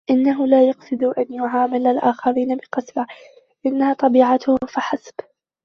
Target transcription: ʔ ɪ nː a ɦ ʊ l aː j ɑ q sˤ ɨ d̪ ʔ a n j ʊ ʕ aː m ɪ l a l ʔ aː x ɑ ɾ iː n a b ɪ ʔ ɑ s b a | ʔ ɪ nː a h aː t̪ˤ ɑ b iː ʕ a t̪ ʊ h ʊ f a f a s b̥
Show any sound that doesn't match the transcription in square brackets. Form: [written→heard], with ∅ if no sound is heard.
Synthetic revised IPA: ʔ ɪ nː a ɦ ʊ l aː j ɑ q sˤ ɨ d̪ ʔ a n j ʊ ʕ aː m ɪ l a l ʔ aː x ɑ ɾ iː n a b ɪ [ʔ→q] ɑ s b a | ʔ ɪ nː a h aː t̪ˤ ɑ b iː ʕ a t̪ ʊ h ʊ f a [f→ħ] a s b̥